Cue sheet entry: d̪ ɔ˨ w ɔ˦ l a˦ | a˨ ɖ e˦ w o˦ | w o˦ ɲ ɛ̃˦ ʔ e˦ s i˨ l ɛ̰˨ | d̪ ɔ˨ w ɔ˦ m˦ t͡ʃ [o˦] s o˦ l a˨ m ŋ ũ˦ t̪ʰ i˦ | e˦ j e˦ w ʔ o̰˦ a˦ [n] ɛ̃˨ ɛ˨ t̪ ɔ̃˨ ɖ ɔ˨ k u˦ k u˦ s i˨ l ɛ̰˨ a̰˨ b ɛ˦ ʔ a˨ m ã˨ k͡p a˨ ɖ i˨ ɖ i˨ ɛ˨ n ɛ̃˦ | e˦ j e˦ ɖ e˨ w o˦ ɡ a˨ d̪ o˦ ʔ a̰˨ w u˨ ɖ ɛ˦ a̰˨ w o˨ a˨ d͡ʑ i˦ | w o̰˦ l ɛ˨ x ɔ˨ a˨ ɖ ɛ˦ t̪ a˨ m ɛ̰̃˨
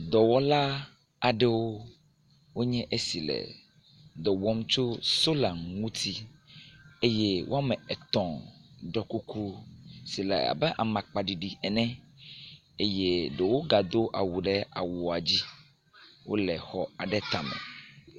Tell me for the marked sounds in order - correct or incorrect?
correct, incorrect

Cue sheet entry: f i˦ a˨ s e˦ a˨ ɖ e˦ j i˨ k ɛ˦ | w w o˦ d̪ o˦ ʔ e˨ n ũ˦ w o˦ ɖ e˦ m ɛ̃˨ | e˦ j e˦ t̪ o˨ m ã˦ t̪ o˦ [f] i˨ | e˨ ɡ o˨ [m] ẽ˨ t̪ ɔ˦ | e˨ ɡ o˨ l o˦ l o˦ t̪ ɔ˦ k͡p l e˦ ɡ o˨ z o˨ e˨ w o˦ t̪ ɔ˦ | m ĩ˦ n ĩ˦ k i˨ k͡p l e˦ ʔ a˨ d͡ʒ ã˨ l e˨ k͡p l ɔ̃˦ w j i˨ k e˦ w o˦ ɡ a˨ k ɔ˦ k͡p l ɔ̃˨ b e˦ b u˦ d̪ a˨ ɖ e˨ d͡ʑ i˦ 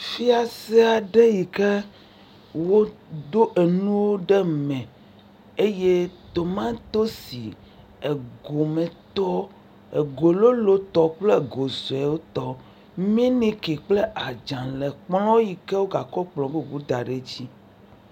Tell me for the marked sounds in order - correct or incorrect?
incorrect, correct

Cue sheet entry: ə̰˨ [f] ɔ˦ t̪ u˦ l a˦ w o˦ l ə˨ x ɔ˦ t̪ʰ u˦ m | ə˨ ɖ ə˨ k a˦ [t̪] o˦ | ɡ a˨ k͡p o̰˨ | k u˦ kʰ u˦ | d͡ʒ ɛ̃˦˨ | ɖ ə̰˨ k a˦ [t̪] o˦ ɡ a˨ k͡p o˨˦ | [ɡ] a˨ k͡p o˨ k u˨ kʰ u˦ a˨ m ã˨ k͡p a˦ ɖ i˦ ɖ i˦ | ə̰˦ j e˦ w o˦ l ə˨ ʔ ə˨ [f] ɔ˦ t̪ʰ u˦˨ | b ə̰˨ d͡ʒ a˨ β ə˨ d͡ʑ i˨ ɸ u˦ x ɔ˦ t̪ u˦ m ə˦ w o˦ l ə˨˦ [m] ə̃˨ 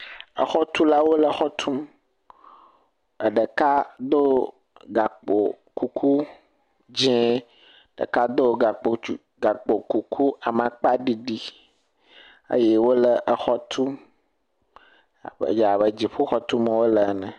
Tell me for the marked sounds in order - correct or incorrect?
incorrect, incorrect, incorrect, correct, incorrect, incorrect

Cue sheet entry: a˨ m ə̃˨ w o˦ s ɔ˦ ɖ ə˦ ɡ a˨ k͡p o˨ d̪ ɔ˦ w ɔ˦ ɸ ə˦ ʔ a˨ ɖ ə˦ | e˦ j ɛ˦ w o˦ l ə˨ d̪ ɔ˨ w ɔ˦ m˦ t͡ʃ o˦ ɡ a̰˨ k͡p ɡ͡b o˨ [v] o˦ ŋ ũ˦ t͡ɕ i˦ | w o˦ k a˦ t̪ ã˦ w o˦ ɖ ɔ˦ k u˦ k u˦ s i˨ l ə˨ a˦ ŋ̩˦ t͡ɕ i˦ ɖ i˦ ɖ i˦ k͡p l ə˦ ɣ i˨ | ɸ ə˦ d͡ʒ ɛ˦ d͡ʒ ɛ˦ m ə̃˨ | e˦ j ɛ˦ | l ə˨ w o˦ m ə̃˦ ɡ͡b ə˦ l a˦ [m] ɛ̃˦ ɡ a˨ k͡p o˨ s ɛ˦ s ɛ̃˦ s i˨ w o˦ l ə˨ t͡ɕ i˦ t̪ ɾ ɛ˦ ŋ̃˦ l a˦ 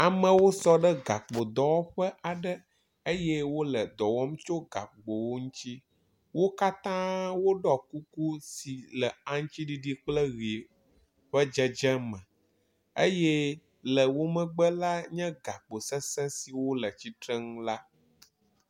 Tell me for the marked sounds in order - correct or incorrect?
incorrect, incorrect

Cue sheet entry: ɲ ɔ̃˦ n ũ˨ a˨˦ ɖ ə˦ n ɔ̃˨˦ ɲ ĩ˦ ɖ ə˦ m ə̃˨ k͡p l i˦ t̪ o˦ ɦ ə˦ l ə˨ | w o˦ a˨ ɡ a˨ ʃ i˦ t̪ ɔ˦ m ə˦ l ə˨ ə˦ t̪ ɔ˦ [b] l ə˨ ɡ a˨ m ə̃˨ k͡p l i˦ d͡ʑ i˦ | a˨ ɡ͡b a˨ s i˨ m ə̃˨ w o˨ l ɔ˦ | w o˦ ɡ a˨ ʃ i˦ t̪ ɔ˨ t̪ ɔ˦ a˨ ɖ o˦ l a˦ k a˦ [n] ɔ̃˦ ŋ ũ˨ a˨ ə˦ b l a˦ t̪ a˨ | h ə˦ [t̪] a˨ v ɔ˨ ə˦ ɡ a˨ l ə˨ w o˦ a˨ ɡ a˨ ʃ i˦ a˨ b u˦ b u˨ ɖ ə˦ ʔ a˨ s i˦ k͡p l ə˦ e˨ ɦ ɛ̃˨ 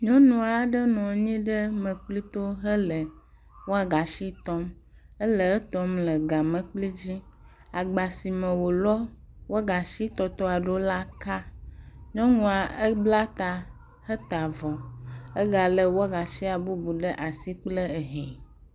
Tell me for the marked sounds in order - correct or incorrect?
incorrect, incorrect, correct

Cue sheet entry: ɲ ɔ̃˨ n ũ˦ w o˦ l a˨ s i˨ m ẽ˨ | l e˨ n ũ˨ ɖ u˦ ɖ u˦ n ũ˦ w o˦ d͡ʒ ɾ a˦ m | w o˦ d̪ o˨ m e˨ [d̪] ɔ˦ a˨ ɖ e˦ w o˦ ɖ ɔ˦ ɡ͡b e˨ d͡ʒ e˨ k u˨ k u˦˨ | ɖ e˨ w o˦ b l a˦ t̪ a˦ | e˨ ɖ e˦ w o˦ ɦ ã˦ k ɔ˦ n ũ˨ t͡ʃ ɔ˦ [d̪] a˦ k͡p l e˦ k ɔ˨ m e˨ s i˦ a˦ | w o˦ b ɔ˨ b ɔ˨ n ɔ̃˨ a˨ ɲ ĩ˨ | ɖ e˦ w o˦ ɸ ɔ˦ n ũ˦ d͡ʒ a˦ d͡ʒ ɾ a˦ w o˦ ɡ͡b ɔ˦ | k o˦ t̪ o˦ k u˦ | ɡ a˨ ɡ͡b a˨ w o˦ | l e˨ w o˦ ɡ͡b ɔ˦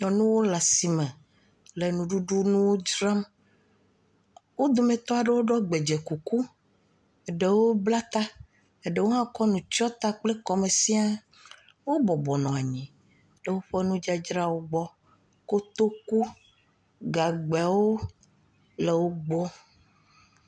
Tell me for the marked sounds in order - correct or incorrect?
incorrect, incorrect

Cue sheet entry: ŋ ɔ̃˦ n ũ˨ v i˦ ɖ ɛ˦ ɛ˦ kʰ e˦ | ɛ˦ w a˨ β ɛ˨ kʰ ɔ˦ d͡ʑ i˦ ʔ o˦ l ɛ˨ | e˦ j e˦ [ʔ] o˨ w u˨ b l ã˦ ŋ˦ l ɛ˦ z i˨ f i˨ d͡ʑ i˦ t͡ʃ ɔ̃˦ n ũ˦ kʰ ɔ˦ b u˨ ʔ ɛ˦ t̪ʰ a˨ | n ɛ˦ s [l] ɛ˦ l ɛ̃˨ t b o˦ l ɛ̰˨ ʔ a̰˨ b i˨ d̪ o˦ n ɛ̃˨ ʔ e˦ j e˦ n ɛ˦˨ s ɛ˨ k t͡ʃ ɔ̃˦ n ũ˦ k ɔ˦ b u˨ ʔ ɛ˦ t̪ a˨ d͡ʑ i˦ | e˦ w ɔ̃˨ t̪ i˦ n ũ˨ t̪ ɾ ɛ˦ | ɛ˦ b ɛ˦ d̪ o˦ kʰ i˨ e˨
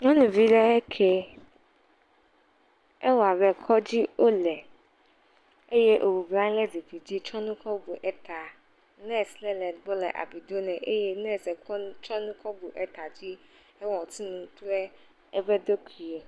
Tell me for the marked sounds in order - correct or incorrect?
correct, correct

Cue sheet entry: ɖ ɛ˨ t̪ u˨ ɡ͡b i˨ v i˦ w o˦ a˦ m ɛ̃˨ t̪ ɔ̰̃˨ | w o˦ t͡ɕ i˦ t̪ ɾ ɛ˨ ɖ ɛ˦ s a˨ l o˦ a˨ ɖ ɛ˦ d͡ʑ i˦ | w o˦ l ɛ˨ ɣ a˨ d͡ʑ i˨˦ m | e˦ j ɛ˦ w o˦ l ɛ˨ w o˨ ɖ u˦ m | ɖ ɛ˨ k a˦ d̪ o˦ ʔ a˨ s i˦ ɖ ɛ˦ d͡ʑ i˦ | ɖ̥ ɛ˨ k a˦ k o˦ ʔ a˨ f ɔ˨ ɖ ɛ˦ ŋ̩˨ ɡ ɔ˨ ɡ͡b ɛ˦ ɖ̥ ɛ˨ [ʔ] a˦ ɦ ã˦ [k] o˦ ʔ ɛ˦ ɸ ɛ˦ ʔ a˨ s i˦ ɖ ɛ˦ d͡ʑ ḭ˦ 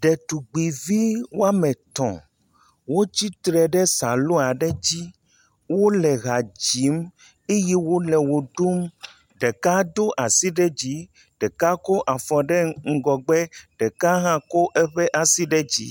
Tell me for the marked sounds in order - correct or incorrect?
incorrect, correct

